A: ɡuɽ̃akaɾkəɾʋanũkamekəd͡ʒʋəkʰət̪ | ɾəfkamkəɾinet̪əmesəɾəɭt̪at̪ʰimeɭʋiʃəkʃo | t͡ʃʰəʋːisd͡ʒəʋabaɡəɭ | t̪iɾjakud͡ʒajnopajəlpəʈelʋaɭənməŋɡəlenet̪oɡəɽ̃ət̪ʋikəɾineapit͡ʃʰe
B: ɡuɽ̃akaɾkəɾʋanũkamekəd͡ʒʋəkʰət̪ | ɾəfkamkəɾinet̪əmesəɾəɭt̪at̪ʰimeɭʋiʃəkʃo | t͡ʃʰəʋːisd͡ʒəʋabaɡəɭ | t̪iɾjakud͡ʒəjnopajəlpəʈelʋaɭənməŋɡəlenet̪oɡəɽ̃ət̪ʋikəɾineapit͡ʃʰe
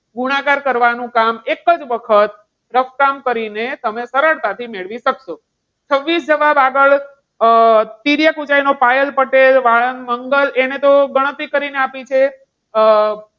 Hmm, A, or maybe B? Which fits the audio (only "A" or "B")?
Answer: A